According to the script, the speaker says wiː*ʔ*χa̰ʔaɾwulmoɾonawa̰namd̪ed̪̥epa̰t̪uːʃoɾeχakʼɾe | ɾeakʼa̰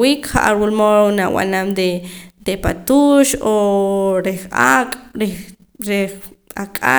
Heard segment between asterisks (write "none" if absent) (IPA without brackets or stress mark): k